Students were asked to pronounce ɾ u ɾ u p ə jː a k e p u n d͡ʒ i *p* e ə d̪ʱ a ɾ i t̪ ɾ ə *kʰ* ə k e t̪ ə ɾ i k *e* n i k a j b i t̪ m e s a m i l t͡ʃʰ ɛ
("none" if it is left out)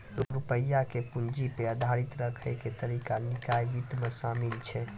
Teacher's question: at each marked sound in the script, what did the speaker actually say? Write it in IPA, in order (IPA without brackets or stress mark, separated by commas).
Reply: p, kʰ, a